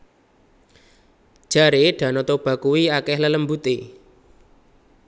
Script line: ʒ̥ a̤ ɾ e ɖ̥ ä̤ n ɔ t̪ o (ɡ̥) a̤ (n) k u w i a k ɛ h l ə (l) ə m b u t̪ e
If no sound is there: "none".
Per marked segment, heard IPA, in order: b̥, none, l

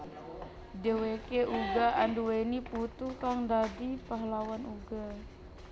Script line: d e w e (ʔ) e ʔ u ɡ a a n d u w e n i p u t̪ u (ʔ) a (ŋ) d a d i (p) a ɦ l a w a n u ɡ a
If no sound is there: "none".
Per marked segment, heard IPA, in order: k, k, ŋ, p

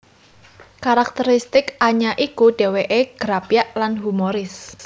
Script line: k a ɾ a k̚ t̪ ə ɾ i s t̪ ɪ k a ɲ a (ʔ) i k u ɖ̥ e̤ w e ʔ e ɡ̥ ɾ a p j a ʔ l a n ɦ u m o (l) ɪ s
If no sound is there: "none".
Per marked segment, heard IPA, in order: ʔ, ɾ

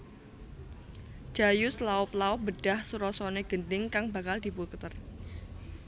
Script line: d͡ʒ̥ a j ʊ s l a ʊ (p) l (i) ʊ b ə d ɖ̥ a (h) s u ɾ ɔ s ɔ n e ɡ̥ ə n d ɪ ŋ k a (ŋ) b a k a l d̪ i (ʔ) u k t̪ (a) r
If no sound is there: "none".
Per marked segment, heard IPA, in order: p, a, h, ŋ, p, ə

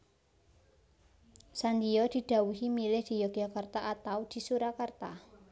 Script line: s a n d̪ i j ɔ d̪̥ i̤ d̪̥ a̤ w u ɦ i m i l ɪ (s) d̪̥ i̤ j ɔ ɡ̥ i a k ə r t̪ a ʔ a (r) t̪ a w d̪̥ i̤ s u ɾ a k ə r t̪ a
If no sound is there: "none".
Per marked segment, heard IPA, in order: h, none

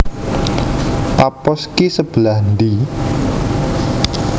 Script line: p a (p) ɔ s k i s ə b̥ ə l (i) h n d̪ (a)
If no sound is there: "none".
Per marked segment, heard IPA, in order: p, a, i

